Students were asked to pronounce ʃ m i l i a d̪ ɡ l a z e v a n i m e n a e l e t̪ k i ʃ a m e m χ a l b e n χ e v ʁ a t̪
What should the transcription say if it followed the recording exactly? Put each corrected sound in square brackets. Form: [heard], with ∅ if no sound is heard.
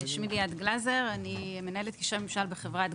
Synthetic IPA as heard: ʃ m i l i a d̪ ɡ l a z e [ʁ] a n i m e n a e l e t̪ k i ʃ a m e m [ʃ] a l b e [∅] χ e v ʁ a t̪